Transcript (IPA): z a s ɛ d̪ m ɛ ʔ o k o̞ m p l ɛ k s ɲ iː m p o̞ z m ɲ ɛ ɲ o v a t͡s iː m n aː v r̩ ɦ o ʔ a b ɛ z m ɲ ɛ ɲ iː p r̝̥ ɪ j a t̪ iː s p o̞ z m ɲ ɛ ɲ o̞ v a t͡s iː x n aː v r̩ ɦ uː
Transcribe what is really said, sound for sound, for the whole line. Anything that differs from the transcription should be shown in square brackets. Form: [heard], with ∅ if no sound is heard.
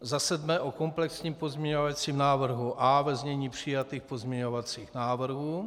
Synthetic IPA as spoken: z a s ɛ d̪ m ɛ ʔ o k o̞ m p l ɛ k s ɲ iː m p o̞ z m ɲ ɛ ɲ o v a t͡s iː m n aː v r̩ ɦ [u] ʔ a [v] ɛ z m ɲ ɛ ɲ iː p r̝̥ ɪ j a t̪ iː [x] p o̞ z m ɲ ɛ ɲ o̞ v a t͡s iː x n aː v r̩ ɦ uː